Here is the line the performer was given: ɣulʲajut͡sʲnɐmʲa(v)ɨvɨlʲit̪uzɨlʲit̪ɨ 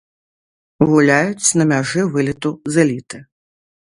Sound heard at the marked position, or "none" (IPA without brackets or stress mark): ʐ